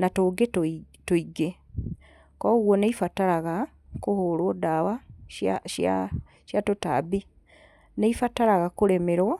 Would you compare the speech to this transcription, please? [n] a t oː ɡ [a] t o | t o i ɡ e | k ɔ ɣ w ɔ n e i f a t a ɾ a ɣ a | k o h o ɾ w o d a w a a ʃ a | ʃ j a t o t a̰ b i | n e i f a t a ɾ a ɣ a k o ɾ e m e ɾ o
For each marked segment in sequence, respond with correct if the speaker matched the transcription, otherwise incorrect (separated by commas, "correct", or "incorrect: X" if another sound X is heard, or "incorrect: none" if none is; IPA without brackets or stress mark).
correct, incorrect: e